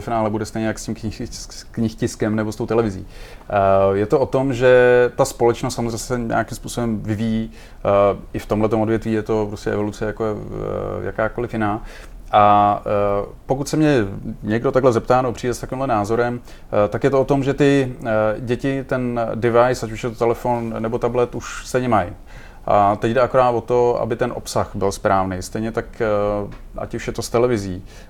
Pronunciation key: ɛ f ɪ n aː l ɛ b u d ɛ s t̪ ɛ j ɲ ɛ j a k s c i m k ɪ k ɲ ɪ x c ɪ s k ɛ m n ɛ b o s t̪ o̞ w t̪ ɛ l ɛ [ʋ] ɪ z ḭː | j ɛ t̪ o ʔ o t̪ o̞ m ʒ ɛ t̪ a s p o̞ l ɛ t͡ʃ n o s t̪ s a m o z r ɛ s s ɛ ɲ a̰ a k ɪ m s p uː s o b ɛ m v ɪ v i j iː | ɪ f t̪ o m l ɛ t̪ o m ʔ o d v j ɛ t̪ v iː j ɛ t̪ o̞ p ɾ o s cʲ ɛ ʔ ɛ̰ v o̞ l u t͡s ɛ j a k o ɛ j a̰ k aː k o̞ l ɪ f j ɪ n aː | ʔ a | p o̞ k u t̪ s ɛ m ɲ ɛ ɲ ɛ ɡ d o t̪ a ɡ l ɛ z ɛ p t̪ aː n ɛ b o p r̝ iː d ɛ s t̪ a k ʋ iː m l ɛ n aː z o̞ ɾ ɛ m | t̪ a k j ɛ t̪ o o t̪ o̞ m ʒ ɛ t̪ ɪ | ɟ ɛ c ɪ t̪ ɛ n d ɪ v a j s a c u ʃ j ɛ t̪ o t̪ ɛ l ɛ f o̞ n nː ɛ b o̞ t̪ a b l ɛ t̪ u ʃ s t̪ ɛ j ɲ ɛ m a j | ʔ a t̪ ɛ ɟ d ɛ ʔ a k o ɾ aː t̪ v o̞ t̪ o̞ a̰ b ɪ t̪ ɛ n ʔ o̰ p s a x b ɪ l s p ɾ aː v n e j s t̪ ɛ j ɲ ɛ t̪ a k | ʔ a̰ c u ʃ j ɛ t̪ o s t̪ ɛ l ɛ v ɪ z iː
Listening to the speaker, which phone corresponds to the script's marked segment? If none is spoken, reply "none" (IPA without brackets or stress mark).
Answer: v